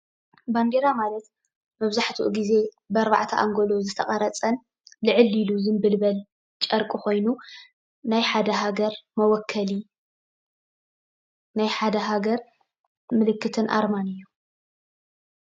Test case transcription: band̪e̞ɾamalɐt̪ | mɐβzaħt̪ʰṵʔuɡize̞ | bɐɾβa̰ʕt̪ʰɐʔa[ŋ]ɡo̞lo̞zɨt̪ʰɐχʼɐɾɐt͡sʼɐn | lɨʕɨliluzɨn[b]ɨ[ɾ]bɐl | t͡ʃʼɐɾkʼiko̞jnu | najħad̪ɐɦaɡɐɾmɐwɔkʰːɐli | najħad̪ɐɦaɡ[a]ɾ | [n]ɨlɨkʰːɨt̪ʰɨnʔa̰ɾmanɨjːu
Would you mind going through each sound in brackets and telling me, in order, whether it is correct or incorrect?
correct, correct, incorrect: l, incorrect: ɐ, incorrect: m

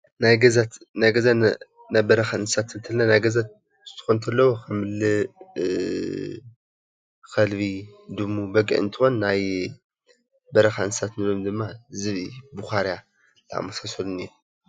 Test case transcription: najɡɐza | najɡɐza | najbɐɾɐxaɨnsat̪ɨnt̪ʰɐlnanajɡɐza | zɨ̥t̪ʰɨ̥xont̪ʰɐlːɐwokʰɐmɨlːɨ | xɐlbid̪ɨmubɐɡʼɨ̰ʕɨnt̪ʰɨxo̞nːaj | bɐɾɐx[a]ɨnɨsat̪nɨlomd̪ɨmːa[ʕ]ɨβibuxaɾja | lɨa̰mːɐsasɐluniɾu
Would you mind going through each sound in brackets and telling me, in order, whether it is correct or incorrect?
correct, incorrect: z

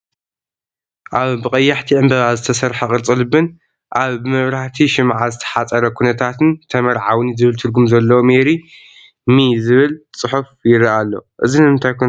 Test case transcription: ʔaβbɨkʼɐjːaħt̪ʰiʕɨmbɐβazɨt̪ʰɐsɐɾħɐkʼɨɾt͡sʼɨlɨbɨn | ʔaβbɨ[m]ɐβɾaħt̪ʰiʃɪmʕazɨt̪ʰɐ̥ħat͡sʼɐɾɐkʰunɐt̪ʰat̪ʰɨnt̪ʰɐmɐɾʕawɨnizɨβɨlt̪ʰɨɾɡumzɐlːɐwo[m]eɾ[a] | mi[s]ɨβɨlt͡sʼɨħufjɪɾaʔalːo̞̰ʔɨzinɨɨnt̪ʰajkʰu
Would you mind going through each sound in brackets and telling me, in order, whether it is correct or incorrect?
correct, correct, incorrect: i, incorrect: z

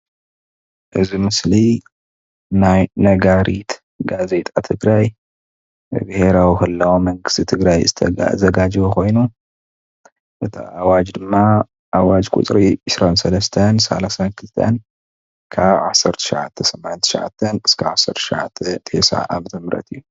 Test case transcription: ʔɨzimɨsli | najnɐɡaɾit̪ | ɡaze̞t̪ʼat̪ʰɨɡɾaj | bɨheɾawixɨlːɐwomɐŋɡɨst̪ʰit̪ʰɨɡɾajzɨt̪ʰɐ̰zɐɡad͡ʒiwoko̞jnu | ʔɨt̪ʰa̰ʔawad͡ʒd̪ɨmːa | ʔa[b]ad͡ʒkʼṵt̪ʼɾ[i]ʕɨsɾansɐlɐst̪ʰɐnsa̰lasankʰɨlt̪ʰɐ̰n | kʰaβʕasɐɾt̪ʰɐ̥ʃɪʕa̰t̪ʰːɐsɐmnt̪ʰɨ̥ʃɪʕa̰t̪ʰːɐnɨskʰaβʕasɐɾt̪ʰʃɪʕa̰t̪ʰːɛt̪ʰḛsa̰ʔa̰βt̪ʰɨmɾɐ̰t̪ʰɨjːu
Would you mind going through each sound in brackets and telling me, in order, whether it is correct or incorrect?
incorrect: w, correct

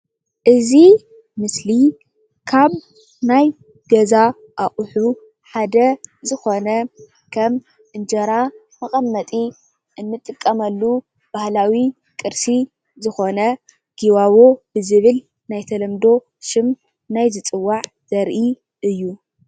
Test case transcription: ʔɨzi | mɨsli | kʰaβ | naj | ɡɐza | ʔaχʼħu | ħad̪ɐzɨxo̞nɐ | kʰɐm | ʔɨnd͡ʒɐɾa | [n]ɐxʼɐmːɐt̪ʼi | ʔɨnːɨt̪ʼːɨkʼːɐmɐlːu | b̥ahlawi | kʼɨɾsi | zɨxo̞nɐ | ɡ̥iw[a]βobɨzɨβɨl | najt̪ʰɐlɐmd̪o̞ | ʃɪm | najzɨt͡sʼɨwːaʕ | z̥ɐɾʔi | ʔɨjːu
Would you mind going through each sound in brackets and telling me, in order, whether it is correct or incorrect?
incorrect: m, correct

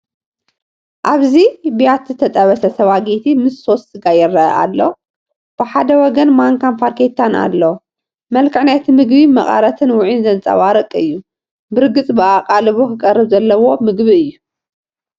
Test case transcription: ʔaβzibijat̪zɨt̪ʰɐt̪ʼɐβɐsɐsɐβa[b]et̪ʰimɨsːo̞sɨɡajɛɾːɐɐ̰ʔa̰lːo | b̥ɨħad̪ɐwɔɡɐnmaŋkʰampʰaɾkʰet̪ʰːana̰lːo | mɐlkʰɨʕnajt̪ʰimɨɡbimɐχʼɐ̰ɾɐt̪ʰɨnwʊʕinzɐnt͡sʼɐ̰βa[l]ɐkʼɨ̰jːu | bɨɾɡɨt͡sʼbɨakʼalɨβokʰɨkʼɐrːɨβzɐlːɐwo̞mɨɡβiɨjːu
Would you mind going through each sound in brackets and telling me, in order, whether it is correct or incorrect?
incorrect: ɡ, incorrect: ɾ

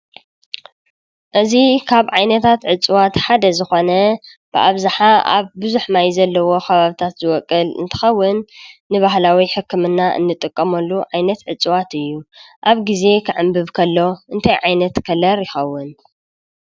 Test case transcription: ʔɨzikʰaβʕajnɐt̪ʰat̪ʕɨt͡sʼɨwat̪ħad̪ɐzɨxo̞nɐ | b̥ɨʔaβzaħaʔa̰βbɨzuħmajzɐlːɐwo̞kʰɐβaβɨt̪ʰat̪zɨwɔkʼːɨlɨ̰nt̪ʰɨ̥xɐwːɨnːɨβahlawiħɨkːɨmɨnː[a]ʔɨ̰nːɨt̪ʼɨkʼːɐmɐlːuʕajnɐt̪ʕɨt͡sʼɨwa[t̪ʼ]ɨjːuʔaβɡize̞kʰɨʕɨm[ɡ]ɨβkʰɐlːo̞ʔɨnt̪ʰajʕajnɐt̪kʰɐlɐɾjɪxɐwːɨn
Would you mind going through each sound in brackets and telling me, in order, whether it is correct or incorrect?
correct, incorrect: t̪, incorrect: b

